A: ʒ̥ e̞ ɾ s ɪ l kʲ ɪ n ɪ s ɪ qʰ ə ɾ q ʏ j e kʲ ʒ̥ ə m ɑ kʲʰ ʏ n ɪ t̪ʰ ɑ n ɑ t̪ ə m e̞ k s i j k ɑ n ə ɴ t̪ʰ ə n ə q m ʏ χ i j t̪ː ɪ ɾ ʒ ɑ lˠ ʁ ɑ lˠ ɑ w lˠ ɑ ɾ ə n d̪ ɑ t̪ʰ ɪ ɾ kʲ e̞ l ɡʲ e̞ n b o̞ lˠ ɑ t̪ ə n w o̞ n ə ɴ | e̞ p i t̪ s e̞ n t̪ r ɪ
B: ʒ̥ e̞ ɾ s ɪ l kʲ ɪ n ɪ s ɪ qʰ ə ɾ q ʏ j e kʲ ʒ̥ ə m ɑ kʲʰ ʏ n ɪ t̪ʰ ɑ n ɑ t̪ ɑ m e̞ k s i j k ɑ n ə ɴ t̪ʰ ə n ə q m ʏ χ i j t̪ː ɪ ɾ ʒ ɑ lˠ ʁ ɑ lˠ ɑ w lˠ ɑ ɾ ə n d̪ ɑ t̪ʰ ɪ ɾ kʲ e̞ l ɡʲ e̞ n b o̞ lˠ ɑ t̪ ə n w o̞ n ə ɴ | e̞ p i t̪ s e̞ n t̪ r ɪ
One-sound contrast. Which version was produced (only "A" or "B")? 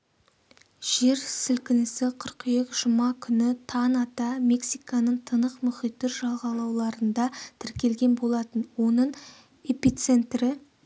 B